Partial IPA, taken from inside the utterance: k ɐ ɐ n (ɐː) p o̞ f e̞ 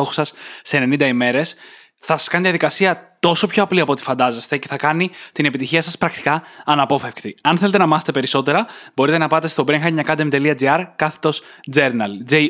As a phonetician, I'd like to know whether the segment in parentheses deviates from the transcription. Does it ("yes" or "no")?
yes